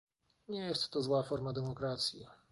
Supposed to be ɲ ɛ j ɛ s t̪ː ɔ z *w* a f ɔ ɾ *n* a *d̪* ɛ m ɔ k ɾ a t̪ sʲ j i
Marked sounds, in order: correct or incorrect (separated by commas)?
correct, incorrect, correct